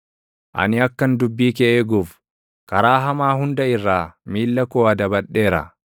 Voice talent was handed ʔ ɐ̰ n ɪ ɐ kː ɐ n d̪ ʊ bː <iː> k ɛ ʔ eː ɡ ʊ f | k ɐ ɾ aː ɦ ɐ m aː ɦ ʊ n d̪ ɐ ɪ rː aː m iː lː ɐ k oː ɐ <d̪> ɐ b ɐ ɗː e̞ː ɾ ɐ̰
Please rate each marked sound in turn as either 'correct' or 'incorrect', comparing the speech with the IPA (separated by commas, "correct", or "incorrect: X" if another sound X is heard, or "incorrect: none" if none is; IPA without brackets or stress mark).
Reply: correct, correct